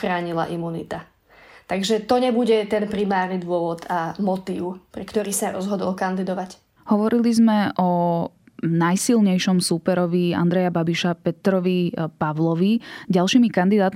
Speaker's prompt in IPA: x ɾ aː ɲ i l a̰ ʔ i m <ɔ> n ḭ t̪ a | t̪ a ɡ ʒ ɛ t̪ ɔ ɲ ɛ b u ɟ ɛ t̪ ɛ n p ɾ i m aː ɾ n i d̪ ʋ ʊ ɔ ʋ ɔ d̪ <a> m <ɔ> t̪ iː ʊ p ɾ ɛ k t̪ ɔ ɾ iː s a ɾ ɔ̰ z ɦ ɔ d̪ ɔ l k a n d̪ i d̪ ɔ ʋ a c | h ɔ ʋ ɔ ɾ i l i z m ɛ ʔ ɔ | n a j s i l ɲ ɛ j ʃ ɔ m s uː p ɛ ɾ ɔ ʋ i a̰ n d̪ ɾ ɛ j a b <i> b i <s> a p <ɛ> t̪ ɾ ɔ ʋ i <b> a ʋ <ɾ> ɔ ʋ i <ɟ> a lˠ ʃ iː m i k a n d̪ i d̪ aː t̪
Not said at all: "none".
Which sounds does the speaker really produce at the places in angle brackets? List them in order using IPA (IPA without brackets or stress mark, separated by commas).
u, a, ɔ, a, ʃ, ɛ, p, l, ɟ